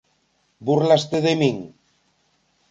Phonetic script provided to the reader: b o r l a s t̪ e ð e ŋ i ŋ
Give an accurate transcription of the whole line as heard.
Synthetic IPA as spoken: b u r l a s t̪ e ð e m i ŋ